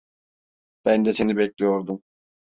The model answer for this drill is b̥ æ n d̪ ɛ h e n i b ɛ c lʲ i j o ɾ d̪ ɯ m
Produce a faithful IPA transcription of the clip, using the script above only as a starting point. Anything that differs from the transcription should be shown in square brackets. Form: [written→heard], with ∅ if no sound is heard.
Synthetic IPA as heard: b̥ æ n d̪ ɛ [h→s] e n i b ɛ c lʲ i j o ɾ d̪ [ɯ→u] m

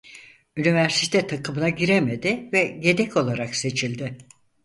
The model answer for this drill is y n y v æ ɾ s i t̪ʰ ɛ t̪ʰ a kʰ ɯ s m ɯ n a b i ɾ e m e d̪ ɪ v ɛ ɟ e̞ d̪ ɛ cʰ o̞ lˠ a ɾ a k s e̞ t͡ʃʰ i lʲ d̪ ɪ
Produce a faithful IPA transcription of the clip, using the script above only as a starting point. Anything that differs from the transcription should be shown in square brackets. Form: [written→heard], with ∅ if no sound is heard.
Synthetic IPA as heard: y n [y→i] v æ ɾ s i t̪ʰ ɛ t̪ʰ a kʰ ɯ [s→∅] m ɯ n a [b→ɟ] i ɾ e m e d̪ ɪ v ɛ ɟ e̞ d̪ ɛ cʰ o̞ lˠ a ɾ a k s e̞ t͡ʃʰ i lʲ d̪ ɪ

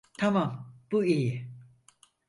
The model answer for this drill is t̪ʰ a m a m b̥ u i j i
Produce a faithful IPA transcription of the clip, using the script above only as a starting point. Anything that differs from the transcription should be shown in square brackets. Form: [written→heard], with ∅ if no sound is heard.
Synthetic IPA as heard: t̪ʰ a m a m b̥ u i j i

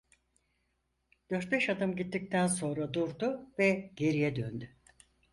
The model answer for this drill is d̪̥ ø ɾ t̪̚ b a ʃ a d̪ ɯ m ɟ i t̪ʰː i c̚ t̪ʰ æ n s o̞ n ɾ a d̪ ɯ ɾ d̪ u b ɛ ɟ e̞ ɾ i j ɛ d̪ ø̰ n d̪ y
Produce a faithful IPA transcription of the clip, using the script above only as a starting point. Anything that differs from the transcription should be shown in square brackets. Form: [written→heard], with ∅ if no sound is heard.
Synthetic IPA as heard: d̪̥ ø ɾ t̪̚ b [a→ɛ] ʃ a d̪ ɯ m ɟ i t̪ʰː i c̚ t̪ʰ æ n s o̞ n ɾ a d̪ [ɯ→u] ɾ d̪ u [b→v] ɛ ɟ e̞ ɾ i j ɛ d̪ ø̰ n d̪ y

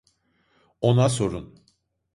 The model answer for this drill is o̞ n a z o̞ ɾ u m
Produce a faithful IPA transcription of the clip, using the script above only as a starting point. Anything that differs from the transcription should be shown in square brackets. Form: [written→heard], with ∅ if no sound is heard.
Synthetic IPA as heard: o̞ n a [z→s] o̞ ɾ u [m→n]

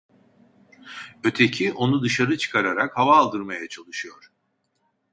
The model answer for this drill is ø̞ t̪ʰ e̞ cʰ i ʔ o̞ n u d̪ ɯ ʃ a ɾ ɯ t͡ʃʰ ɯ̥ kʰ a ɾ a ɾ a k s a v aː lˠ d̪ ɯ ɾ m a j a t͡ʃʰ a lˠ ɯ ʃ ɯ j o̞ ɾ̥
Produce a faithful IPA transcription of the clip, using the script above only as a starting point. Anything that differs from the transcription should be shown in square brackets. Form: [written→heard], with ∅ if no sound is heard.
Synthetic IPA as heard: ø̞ t̪ʰ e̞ cʰ i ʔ o̞ n u d̪ ɯ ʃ a ɾ ɯ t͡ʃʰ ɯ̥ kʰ a ɾ a ɾ a k [s→h] a v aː lˠ d̪ ɯ ɾ m a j a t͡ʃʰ a lˠ ɯ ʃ ɯ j o̞ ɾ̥

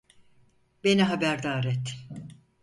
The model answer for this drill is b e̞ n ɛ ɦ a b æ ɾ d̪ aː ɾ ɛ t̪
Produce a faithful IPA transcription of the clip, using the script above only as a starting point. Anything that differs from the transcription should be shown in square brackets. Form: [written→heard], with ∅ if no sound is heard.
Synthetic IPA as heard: b e̞ n [ɛ→i] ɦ a b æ ɾ d̪ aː ɾ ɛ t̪

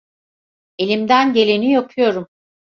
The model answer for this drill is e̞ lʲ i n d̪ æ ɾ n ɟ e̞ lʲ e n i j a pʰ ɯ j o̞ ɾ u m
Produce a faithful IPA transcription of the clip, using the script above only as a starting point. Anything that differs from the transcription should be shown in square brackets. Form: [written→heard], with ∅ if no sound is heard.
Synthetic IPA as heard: e̞ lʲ i [n→m] d̪ æ [ɾ→∅] n ɟ e̞ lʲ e n i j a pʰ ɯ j o̞ ɾ u m

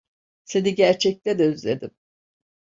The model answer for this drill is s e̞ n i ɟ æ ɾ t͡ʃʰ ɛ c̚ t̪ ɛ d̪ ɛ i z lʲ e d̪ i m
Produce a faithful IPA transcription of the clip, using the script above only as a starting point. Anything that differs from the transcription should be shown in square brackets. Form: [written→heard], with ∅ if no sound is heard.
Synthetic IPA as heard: s e̞ n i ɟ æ ɾ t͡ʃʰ ɛ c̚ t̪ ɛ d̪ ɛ [i→y] z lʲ e d̪ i m

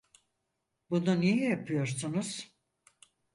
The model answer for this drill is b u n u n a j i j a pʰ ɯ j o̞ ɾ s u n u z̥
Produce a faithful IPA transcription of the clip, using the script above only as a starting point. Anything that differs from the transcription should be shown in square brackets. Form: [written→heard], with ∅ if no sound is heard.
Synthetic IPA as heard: b u n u n [a→i] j [i→ɛ] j a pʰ ɯ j o̞ ɾ s u n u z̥

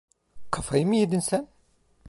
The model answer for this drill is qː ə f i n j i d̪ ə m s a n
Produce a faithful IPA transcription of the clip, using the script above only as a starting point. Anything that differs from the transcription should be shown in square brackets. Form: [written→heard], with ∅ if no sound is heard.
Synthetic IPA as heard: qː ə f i [n→m] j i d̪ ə [m→n] s [a→æ] n

